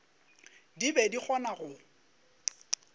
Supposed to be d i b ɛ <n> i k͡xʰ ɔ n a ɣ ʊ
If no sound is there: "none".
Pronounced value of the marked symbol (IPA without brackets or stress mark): d